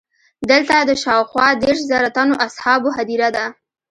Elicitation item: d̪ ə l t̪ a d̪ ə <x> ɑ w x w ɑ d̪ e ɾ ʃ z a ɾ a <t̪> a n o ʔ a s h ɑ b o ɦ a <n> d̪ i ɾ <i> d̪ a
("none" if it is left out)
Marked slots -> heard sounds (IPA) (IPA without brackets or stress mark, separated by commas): ʃ, t̪, none, a